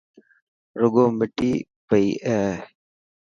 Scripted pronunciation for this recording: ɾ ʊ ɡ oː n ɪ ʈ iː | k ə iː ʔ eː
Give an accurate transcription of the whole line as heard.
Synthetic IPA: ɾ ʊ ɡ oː m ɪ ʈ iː | p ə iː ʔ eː